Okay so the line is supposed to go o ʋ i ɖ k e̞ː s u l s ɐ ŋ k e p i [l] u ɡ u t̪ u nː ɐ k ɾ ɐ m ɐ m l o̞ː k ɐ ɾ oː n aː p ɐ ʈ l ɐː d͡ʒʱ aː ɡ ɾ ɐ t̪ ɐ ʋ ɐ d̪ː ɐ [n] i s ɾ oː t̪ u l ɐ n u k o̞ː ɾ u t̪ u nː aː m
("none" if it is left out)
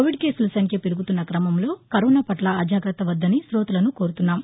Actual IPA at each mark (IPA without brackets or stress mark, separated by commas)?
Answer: ɾ, n